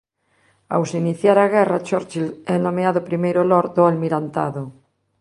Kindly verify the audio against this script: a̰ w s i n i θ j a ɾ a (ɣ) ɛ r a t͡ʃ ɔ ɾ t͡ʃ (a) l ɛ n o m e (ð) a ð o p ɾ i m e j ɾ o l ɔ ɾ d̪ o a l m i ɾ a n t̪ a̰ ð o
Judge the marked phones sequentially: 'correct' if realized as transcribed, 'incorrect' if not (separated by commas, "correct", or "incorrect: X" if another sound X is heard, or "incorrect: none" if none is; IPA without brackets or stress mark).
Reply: correct, incorrect: i, incorrect: none